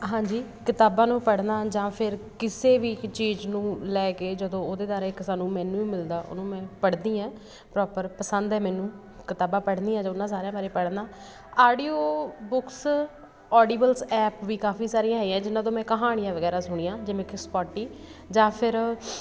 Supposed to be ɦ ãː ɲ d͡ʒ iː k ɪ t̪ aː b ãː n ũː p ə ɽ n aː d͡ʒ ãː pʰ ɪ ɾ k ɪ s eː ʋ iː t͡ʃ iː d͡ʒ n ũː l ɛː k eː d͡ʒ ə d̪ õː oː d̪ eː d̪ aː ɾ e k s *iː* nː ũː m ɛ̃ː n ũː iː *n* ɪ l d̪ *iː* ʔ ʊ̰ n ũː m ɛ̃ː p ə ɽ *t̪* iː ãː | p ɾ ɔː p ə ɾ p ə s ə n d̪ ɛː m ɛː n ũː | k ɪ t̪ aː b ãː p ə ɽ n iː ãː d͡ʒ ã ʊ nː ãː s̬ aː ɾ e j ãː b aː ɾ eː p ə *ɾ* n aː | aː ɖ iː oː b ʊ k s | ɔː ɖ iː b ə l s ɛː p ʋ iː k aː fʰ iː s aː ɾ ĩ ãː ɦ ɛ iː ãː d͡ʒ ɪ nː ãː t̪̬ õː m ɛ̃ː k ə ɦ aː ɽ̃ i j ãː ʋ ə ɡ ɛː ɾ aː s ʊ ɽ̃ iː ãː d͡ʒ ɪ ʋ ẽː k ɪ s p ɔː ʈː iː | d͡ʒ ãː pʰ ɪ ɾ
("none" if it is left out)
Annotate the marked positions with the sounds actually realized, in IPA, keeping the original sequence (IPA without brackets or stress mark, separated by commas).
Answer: aː, m, aː, d̪, ɽ